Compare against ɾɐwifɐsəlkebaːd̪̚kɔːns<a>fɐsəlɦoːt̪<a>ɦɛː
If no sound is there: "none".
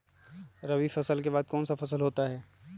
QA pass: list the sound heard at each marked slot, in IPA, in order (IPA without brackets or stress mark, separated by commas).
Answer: a, a